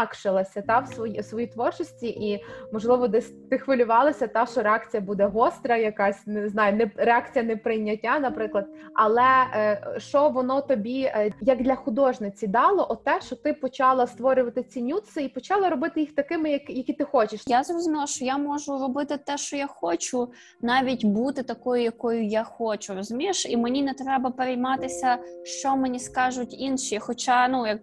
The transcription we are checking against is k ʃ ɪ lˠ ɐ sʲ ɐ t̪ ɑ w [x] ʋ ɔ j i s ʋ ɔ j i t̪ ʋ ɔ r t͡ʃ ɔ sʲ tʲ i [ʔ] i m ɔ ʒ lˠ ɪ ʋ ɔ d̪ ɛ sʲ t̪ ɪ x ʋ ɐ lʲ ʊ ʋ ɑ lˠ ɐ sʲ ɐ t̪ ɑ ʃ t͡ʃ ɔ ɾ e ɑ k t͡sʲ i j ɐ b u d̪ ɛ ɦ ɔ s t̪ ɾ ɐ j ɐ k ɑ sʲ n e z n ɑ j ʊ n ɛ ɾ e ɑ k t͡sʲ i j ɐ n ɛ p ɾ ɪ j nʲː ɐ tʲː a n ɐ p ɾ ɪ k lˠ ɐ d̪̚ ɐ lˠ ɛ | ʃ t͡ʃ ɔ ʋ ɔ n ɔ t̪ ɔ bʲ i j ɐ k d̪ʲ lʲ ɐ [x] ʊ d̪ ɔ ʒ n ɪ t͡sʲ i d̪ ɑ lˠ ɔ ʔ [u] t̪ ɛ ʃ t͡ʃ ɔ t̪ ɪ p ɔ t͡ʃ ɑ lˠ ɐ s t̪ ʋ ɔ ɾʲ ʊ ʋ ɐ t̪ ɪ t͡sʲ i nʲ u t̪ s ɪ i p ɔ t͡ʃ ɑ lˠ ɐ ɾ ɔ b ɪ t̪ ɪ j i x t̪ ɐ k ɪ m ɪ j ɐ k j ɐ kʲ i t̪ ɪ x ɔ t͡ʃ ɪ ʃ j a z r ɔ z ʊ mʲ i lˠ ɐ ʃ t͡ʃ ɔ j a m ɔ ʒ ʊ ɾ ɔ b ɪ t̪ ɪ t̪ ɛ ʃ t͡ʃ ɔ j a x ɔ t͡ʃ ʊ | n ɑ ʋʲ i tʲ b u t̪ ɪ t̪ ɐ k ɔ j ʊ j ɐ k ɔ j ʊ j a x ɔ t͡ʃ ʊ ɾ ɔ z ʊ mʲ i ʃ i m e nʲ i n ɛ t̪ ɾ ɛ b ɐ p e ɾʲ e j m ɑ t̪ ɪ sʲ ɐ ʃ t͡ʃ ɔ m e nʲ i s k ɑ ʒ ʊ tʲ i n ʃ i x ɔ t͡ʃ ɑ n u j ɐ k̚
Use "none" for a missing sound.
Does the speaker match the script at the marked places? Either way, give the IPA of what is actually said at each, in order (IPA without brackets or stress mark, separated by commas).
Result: s, ʔ, x, ɔ